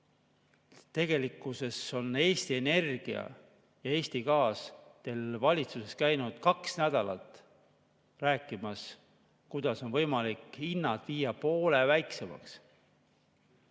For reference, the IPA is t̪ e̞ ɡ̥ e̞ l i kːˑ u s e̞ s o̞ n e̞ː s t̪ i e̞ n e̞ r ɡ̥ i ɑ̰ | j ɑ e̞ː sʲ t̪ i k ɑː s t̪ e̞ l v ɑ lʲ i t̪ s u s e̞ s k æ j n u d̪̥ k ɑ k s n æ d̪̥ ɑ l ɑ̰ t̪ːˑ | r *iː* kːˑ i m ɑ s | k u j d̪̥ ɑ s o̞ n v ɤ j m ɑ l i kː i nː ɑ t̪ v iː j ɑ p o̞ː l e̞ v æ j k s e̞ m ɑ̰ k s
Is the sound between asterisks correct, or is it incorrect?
incorrect